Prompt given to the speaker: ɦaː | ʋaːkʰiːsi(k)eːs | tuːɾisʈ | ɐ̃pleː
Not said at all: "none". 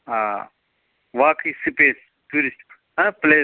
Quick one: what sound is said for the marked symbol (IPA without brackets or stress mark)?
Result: p